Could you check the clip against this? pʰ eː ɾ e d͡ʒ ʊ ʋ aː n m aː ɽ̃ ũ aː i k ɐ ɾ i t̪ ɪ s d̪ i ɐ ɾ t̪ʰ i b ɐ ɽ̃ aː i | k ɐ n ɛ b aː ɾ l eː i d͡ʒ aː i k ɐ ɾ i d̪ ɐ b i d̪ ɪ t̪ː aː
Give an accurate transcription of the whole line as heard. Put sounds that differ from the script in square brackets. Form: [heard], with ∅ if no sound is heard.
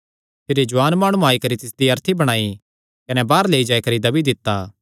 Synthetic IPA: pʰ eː ɾ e d͡ʒ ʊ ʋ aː n m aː ɽ̃ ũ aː i k ɐ ɾ i t̪ ɪ s d̪ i ɐ ɾ t̪ʰ i b ɐ ɽ̃ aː i | k ɐ n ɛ b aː ɾ l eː i d͡ʒ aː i k ɐ ɾ i d̪ ɐ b i d̪ ɪ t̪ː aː